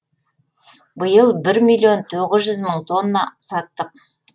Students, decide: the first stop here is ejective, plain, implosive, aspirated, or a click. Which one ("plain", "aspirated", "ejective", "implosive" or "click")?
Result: plain